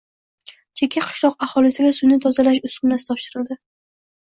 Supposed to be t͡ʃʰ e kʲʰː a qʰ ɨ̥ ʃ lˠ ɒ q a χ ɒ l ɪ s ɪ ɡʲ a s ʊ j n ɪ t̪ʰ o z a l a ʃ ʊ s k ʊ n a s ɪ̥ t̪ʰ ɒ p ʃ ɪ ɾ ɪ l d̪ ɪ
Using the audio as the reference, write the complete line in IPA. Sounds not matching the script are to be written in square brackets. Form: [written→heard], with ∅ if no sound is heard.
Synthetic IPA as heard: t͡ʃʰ e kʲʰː a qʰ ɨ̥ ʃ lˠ ɒ q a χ ɒ l ɪ s ɪ ɡʲ a s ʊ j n ɪ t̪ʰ [o→ɒ] z a l a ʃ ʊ s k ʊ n a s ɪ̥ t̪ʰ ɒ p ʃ ɪ ɾ ɪ l d̪ ɪ